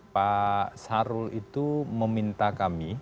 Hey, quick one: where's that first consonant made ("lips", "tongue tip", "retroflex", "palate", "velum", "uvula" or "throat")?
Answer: lips